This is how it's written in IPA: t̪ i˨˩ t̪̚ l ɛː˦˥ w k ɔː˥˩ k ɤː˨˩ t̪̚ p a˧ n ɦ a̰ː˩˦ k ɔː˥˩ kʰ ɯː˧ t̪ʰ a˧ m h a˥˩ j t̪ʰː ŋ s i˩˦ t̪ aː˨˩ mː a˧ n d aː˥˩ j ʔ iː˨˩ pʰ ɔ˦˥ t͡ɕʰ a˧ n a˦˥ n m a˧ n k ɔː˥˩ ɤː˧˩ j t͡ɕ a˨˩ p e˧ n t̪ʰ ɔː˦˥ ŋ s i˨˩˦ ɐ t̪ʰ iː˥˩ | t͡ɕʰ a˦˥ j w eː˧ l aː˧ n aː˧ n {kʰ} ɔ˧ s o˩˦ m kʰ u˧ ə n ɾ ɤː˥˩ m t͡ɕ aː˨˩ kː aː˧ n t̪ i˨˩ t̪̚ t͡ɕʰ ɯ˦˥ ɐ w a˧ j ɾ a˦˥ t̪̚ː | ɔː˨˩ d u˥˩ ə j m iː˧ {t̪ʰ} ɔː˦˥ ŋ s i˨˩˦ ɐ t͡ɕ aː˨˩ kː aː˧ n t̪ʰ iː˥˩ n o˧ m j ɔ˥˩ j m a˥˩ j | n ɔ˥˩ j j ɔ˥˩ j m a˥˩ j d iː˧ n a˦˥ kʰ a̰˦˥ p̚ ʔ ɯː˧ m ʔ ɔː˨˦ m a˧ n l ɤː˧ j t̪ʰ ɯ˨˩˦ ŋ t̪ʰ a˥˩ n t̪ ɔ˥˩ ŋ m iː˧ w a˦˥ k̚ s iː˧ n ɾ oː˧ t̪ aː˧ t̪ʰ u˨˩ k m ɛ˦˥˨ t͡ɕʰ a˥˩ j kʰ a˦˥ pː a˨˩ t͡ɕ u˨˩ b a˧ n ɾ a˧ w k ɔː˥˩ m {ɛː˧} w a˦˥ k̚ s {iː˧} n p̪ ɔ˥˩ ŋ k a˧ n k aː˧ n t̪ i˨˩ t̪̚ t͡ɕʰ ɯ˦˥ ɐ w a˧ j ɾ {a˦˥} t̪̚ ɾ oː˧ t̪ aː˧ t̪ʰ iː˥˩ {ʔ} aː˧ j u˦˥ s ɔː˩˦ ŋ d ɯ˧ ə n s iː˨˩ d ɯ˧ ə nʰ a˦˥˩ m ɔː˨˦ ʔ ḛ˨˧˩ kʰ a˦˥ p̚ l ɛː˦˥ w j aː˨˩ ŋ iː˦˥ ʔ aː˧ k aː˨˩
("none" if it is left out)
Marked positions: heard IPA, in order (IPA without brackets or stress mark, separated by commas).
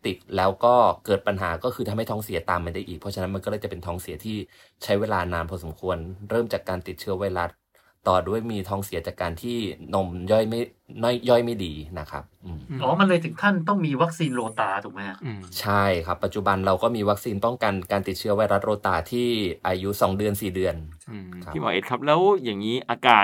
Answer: pʰ, t̪ʰ, iː˧, iː˧, a˦˥, ʔ